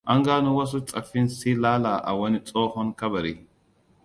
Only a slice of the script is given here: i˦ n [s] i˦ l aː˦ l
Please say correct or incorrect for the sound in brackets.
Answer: correct